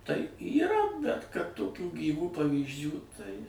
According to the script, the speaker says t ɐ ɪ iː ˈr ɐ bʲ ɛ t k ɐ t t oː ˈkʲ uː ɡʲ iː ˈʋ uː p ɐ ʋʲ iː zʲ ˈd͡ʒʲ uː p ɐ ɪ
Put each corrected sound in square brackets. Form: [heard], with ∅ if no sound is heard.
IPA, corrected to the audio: t ɐ ɪ iː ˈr ɐ bʲ ɛ t k ɐ t t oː ˈkʲ uː ɡʲ iː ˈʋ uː p ɐ ʋʲ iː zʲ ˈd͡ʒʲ uː [t] ɐ ɪ